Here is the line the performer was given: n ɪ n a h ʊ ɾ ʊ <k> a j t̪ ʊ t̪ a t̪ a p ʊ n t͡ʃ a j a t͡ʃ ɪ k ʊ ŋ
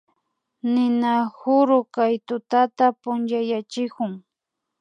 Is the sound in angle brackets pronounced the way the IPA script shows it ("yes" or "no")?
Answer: yes